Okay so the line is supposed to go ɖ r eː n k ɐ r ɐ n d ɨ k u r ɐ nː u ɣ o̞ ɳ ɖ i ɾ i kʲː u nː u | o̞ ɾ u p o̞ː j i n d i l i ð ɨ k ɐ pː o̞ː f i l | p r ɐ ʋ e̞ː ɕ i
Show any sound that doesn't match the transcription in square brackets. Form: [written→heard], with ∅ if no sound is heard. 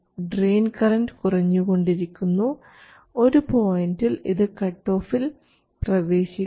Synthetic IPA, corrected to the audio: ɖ r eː n k ɐ r ɐ n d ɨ k u r ɐ [nː→ɲː] u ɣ o̞ ɳ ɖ i ɾ i kʲː u nː u | o̞ ɾ u p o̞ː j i n d i l i ð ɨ k ɐ [pː→ʈː] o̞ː f i l | p r ɐ ʋ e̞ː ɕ i

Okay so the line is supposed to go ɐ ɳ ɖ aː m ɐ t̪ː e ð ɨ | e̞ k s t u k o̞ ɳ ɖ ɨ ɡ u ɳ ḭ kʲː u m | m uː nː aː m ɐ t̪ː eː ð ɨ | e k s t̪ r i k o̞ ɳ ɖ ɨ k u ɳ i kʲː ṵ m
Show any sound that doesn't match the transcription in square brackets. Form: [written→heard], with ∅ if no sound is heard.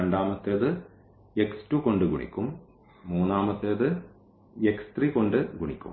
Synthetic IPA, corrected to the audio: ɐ ɳ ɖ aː m ɐ t̪ː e ð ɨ | e̞ k s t u k o̞ ɳ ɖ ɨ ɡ u ɳ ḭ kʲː u m | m uː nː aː m ɐ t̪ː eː ð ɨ | e k s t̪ r i k o̞ ɳ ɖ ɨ [k→ɡ] u ɳ i kʲː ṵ m

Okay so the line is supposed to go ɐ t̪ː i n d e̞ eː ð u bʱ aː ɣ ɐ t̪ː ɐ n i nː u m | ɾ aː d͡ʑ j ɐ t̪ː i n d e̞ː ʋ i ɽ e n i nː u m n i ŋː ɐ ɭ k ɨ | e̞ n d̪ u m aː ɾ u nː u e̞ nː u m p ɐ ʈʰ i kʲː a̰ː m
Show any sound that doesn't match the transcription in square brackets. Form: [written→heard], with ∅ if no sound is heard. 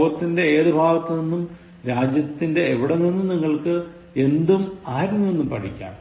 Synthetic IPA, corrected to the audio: ɐ t̪ː i n d e̞ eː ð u bʱ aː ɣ ɐ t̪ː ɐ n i nː u m | ɾ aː d͡ʑ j ɐ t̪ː i n d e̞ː ʋ i ɽ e n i nː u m n i ŋː ɐ ɭ k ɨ | e̞ n d̪ u m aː ɾ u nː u e̞ nː u m p ɐ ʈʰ i kʲː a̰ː m

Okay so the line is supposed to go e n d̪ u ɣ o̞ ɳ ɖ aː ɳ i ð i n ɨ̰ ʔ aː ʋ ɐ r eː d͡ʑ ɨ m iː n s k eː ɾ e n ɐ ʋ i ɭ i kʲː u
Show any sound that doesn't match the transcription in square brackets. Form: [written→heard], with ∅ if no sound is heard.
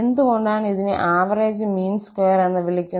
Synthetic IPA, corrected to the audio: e n d̪ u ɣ o̞ ɳ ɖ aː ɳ i ð i n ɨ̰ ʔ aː ʋ ɐ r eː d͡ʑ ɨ m iː n s k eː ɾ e [n→nː] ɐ ʋ i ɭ i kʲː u

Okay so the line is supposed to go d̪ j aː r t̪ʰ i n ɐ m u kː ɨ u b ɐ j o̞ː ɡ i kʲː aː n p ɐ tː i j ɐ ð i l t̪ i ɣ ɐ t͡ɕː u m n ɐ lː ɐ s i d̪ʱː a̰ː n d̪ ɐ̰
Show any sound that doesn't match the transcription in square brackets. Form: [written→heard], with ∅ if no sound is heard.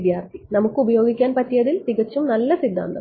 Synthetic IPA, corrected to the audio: d̪ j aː r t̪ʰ i n ɐ m u kː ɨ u b ɐ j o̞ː ɡ i kʲː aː n p ɐ tː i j ɐ ð i l t̪ i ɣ ɐ t͡ɕː u m n ɐ lː ɐ s i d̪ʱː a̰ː n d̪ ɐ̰

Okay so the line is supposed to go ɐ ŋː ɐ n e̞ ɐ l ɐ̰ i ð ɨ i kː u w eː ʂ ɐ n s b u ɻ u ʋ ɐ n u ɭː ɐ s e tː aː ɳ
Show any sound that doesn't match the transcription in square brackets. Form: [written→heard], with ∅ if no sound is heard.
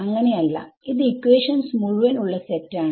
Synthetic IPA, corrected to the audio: ɐ ŋː ɐ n e̞ ɐ [l→lː] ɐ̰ i ð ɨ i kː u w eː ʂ ɐ n s [b→m] u ɻ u ʋ ɐ n u ɭː ɐ s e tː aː ɳ

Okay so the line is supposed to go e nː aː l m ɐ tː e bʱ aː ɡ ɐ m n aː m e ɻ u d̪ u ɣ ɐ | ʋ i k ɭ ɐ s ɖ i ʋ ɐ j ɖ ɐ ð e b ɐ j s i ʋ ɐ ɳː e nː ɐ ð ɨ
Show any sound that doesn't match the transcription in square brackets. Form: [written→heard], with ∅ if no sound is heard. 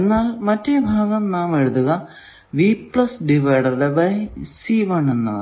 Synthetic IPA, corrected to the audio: e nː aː l m ɐ tː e bʱ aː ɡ ɐ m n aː m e ɻ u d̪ u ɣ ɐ | ʋ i [k→p] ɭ ɐ s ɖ i ʋ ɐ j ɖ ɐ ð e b ɐ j s i ʋ ɐ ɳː e nː ɐ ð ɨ

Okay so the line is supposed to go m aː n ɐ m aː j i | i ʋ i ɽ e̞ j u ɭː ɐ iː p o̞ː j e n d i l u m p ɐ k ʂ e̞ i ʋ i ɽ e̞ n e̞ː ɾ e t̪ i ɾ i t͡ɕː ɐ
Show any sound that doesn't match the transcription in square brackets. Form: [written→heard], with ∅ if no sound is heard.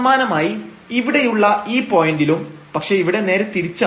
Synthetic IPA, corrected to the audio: m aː n ɐ m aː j i | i ʋ i ɽ e̞ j u ɭː ɐ iː p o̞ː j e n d i l u m p ɐ k ʂ e̞ i ʋ i ɽ e̞ n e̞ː ɾ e t̪ i ɾ i t͡ɕː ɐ

